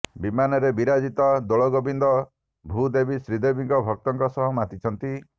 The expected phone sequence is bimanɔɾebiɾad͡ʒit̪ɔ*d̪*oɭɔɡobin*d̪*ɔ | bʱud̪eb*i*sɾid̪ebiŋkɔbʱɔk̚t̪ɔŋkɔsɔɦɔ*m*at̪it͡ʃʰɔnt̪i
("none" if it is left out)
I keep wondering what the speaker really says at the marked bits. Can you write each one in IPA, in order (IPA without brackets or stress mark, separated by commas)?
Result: d̪, d̪, i, m